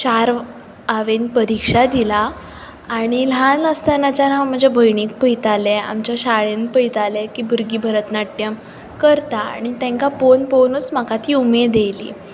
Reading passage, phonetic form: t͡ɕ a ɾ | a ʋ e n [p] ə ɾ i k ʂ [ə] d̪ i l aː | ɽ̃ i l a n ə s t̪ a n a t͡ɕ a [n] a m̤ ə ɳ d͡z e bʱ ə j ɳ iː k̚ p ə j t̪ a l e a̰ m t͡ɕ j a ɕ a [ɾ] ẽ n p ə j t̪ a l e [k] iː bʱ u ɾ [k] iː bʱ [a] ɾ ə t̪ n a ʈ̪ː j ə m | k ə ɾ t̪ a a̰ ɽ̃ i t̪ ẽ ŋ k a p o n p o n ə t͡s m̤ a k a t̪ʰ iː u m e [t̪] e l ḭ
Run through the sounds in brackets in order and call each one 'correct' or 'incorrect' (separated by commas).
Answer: correct, incorrect, correct, incorrect, correct, incorrect, incorrect, incorrect